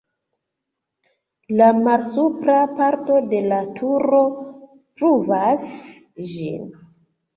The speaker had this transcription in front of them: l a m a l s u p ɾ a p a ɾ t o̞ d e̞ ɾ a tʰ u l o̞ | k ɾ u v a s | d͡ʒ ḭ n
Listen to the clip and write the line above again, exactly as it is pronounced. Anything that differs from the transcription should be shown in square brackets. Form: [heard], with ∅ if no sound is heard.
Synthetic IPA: l a m a l s u p ɾ a p a ɾ t o̞ d e̞ [l] a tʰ u [ɾ] o̞ | [p] ɾ u v a s | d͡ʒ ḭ n